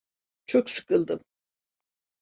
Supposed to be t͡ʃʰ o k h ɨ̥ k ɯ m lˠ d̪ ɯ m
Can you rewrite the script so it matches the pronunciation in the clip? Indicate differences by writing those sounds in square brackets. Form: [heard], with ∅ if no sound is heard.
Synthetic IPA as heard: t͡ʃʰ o k [s] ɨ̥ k ɯ [∅] lˠ d̪ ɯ m

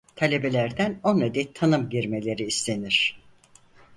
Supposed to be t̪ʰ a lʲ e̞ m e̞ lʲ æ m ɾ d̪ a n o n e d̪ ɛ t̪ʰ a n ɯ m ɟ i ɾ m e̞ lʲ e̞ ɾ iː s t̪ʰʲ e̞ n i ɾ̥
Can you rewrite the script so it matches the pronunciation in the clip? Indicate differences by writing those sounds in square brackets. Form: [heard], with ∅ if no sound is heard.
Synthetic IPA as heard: t̪ʰ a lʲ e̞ [b] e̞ lʲ æ [∅] ɾ d̪ [æ] n o n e d̪ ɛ t̪ʰ a n ɯ m ɟ i ɾ m e̞ lʲ e̞ ɾ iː s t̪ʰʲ e̞ n i ɾ̥

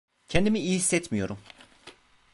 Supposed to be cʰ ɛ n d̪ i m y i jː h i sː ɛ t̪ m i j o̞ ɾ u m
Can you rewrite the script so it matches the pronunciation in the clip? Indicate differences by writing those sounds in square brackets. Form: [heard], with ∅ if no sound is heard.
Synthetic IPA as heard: cʰ ɛ n d̪ i m [i] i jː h i sː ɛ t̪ m i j o̞ ɾ u m

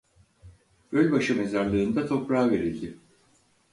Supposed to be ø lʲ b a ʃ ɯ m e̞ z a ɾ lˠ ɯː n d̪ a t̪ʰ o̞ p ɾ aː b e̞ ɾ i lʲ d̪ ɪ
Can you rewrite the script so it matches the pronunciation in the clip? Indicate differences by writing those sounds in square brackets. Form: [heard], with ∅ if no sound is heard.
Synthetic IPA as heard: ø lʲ b a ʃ ɯ m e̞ z a ɾ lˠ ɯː n d̪ a t̪ʰ o̞ p ɾ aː [v] e̞ ɾ i lʲ d̪ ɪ

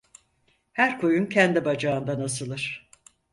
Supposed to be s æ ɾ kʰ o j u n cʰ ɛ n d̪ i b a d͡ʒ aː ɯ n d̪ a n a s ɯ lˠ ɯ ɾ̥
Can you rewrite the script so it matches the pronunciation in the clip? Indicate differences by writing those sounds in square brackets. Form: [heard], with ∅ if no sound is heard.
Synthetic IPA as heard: [h] æ ɾ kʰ o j u n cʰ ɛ n d̪ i b a d͡ʒ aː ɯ n d̪ a n a s ɯ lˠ ɯ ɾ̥

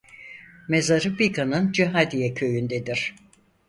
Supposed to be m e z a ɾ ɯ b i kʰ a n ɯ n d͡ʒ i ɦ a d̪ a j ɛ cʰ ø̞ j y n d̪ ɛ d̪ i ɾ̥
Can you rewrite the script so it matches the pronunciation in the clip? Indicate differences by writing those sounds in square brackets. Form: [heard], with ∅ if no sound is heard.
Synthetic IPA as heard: m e z a ɾ ɯ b i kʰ a n ɯ n d͡ʒ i ɦ a d̪ [i] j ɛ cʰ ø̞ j y n d̪ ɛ d̪ i ɾ̥

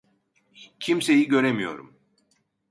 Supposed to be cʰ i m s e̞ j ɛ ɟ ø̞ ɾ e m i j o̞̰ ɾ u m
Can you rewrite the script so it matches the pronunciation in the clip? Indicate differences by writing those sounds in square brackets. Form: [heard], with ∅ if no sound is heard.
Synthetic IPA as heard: cʰ i m s e̞ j [i] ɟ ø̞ ɾ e m i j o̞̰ ɾ u m

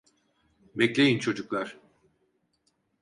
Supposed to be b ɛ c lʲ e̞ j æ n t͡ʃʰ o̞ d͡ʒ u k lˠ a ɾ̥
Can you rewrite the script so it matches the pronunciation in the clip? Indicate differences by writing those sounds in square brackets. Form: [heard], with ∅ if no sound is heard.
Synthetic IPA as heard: b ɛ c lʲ e̞ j [i] n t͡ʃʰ o̞ d͡ʒ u k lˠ a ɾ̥

